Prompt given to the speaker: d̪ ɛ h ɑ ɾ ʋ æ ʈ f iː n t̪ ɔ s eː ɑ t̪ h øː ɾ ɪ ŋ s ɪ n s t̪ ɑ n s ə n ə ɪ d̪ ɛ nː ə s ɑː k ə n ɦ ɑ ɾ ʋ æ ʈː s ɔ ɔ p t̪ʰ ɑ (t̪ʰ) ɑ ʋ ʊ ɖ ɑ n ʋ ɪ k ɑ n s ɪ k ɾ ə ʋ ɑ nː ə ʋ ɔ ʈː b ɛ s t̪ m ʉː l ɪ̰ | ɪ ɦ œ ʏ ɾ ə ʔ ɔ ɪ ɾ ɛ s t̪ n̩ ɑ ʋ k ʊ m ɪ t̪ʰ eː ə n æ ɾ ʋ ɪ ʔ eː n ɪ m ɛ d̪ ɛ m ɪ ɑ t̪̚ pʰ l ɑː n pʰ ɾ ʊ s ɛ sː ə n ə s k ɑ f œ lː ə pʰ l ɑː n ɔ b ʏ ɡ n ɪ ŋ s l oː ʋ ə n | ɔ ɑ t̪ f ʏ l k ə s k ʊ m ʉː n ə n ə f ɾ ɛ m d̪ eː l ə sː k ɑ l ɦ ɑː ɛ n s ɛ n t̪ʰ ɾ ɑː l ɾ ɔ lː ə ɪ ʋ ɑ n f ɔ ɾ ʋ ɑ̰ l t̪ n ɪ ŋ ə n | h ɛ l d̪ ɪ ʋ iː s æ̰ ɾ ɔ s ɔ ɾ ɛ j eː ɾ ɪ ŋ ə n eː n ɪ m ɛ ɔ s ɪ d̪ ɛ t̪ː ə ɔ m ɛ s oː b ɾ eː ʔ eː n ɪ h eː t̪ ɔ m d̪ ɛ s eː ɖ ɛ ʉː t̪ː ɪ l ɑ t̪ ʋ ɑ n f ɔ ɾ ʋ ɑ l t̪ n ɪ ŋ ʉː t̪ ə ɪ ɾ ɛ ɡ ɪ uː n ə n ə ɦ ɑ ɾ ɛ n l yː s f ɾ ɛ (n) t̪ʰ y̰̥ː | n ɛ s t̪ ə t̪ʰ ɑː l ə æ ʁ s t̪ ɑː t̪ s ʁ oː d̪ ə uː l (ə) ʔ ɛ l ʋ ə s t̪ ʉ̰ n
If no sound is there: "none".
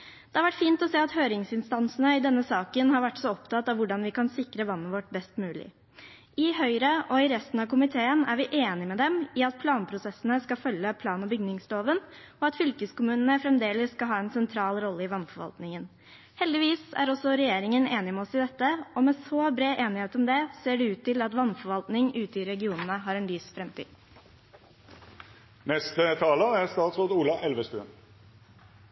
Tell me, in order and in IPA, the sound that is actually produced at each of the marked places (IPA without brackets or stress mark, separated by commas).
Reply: t̪, m, ɑ